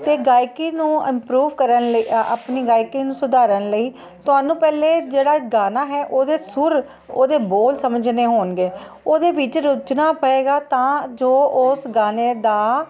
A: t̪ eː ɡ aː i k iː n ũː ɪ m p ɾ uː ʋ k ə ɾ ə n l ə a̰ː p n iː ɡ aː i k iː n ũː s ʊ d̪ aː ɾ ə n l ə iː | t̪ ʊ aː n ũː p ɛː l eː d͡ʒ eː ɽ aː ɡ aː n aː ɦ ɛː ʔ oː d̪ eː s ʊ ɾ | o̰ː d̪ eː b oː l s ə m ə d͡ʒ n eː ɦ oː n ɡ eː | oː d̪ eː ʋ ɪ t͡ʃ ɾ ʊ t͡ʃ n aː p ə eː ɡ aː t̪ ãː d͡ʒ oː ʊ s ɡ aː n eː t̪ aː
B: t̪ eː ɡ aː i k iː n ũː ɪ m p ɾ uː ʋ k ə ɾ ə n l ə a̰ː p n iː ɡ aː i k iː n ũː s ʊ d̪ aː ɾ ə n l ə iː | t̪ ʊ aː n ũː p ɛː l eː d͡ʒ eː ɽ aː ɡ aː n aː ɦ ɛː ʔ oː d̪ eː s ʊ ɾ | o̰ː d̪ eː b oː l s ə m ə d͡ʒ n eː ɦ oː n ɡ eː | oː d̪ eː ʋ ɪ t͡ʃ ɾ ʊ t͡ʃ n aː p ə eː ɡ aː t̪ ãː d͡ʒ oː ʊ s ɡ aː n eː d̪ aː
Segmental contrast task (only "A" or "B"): B